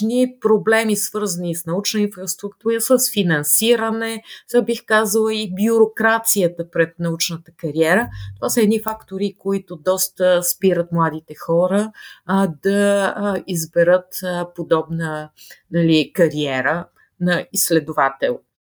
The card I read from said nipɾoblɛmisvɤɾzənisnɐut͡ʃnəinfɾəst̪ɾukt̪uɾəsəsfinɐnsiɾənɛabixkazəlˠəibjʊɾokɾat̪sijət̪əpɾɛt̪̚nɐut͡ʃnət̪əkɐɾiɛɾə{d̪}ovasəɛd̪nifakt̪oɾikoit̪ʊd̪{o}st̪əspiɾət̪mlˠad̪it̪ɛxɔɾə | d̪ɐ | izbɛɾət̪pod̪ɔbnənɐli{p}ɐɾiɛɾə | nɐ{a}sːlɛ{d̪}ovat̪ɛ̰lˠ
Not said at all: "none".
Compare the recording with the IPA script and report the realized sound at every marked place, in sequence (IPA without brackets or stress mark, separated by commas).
t̪, ɔ, k, i, d̪